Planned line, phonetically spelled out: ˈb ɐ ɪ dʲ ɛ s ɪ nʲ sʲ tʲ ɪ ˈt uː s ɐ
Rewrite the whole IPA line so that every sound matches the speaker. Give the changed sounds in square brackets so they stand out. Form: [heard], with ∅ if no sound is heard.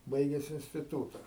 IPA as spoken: ˈb ɐ ɪ [ɡʲ] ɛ s ɪ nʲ sʲ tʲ ɪ ˈt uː [t] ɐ

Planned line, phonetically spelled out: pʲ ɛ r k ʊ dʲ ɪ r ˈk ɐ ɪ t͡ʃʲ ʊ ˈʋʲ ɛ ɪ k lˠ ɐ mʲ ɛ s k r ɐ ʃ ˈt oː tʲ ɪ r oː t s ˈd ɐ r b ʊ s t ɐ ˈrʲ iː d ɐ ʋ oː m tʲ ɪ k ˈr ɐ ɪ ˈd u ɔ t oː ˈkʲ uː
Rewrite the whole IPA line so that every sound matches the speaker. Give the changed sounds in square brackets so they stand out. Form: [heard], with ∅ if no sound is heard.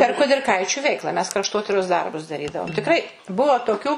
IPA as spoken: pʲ ɛ r k ʊ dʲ ɪ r ˈk ɐ ɪ t͡ʃʲ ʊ ˈʋʲ ɛ ɪ k lˠ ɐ mʲ ɛ s k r ɐ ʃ ˈt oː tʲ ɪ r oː [∅] s ˈd ɐ r b ʊ s [d] ɐ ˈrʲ iː d ɐ ʋ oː m tʲ ɪ k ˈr ɐ ɪ [ˈb] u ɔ t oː ˈkʲ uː

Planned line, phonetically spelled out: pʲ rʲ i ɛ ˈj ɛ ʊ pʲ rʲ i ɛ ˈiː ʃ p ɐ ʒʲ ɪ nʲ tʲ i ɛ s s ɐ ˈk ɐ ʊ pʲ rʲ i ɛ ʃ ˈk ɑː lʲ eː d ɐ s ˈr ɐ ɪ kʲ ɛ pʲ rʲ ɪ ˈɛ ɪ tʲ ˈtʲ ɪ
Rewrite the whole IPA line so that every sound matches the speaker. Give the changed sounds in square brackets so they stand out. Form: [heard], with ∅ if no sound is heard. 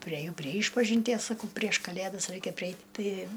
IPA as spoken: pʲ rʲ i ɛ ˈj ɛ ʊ pʲ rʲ i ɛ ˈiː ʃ p ɐ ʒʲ ɪ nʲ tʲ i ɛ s s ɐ ˈk ɐ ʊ pʲ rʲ i ɛ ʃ ˈk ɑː lʲ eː d ɐ s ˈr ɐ ɪ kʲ ɛ pʲ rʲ ɪ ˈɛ ɪ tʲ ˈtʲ ɪ

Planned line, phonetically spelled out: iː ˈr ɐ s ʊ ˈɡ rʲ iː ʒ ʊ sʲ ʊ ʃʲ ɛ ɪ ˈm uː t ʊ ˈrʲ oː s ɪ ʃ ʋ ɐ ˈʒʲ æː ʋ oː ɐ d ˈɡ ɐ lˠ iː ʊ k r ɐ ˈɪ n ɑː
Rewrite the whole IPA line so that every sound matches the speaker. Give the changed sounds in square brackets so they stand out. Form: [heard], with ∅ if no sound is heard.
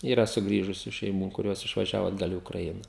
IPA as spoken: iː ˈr ɐ s ʊ ˈɡ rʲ iː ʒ ʊ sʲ ʊ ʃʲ ɛ ɪ ˈm uː [k] ʊ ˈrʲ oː s ɪ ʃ ʋ ɐ ˈʒʲ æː ʋ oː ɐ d ˈɡ ɐ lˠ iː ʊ k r ɐ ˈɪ n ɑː

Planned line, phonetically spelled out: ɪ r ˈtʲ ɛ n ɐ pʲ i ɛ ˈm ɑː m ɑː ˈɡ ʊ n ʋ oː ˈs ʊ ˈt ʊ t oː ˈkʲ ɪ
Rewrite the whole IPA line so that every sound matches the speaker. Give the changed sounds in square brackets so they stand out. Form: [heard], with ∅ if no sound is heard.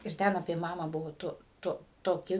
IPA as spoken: ɪ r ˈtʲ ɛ n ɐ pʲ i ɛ ˈm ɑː m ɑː [ˈb] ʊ [∅] ʋ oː [ˈt] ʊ ˈt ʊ t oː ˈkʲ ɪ

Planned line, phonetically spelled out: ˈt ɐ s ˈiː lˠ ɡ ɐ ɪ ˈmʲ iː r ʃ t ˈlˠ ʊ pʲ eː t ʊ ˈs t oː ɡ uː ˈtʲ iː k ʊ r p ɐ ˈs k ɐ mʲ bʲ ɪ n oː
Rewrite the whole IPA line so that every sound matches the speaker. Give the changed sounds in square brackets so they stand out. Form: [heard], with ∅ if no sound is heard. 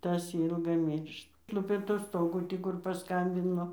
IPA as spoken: ˈt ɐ s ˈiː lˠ ɡ ɐ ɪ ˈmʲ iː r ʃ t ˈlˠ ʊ pʲ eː t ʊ ˈs t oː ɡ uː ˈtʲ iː k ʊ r p ɐ ˈs k ɐ mʲ bʲ ɪ n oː

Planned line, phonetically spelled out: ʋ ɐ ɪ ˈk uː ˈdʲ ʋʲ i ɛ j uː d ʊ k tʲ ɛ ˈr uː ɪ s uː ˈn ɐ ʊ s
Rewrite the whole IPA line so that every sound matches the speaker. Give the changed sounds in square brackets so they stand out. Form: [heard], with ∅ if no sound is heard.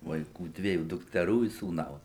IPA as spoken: ʋ ɐ ɪ ˈk uː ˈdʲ ʋʲ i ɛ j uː d ʊ k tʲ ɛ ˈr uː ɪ s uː ˈn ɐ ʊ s

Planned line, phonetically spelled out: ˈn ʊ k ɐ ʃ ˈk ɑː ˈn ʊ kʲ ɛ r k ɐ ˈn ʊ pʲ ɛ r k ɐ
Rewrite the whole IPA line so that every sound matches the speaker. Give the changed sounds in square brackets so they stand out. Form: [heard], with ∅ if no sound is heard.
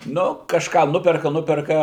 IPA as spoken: ˈn ʊ k ɐ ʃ ˈk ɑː ˈn ʊ [pʲ] ɛ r k ɐ ˈn ʊ pʲ ɛ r k ɐ

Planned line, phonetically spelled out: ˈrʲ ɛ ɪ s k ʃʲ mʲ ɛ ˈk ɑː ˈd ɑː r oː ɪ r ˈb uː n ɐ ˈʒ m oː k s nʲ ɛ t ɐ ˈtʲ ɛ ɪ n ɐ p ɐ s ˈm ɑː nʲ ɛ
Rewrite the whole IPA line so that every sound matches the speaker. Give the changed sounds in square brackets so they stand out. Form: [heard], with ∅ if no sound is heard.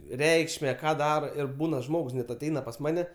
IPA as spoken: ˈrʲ ɛ ɪ [∅] k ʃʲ mʲ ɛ ˈk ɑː ˈd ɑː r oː ɪ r ˈb uː n ɐ ˈʒ m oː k s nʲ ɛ t ɐ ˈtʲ ɛ ɪ n ɐ p ɐ s ˈm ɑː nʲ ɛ

